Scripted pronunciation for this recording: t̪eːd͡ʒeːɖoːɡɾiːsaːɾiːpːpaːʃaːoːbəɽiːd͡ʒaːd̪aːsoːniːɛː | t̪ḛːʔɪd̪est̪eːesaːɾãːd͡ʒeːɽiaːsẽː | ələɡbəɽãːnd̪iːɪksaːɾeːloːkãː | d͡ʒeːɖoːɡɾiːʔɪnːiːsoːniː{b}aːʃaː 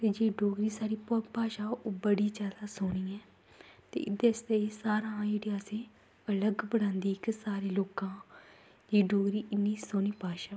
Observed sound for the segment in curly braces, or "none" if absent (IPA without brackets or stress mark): p